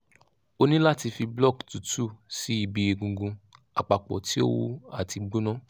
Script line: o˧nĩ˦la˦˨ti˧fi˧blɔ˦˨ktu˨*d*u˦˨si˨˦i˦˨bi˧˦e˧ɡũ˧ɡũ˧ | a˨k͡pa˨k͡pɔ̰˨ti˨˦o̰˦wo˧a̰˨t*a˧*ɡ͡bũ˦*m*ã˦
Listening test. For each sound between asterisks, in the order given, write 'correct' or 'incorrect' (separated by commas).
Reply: incorrect, incorrect, incorrect